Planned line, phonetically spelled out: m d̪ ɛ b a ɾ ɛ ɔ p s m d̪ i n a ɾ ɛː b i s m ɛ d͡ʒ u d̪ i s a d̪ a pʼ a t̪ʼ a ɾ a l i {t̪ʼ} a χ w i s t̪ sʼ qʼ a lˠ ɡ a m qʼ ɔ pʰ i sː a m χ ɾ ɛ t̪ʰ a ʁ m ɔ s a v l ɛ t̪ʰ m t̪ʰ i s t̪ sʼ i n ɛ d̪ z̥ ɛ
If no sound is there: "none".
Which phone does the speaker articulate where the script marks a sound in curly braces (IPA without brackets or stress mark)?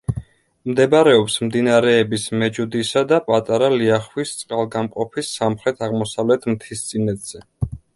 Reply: none